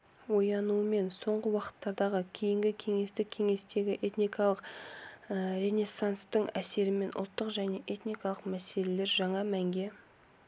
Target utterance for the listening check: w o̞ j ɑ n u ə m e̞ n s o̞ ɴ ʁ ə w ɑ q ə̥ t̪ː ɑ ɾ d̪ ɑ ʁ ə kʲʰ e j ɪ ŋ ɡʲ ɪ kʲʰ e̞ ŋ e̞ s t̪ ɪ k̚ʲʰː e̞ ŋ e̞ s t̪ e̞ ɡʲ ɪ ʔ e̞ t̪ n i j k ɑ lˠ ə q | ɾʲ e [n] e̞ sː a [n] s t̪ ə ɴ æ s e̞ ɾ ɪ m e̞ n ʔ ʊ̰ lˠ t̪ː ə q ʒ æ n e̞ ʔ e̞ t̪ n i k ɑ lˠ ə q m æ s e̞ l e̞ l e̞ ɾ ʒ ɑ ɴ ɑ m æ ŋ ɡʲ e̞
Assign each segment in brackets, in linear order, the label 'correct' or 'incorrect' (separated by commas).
correct, correct